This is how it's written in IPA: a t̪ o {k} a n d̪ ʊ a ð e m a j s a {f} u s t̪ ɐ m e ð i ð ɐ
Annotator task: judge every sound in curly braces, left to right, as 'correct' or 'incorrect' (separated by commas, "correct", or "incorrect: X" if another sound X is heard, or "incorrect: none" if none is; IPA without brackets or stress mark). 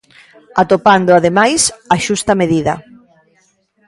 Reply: incorrect: p, incorrect: ʃ